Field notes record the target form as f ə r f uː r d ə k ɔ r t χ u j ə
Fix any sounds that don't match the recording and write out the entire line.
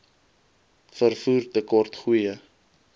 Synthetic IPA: f ə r f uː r t ə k ɔ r t χ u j ə